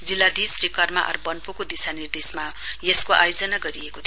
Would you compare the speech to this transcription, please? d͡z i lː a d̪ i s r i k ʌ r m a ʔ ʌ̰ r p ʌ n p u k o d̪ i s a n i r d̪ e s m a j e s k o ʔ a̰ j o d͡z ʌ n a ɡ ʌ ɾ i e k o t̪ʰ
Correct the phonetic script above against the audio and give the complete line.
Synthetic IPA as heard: d͡z i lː a d̪ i s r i k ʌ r m a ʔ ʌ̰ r b ʌ n p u k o d̪ i s a n i r d̪ e s m a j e s k o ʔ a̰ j o d͡z ʌ n a ɡ ʌ ɾ i e k o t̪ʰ